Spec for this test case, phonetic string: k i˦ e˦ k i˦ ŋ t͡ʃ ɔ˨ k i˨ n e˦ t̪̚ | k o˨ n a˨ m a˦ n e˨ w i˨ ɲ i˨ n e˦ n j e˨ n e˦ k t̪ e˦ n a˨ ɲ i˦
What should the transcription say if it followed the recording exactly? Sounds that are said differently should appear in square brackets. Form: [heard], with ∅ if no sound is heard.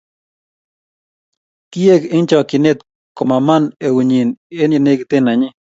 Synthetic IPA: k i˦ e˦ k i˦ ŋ t͡ʃ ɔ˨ k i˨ n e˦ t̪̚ | k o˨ [m] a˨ m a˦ n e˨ w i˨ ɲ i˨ n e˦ n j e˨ n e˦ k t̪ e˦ n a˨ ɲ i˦